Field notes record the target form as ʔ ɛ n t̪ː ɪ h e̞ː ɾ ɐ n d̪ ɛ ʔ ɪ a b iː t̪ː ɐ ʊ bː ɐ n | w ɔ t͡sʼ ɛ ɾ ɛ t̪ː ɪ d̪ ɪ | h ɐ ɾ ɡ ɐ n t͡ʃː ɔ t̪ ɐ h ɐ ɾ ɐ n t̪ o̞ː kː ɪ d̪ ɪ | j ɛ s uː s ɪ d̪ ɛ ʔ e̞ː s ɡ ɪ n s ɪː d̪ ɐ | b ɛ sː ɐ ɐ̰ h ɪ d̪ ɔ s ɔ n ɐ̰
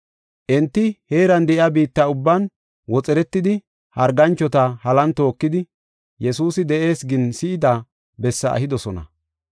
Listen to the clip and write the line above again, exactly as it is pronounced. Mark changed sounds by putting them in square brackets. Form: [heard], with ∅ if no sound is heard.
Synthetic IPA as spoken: ʔ ɛ n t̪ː ɪ h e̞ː ɾ ɐ n d̪ ɛ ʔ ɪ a b iː t̪ː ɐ ʊ bː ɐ n | w ɔ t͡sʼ ɛ ɾ ɛ t̪ː ɪ d̪ ɪ | h ɐ ɾ ɡ ɐ n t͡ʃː ɔ t̪ ɐ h ɐ [l] ɐ n t̪ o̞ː kː ɪ d̪ ɪ | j ɛ s uː s ɪ d̪ ɛ ʔ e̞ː s ɡ ɪ n s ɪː d̪ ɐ | b ɛ sː ɐ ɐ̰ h ɪ d̪ ɔ s ɔ n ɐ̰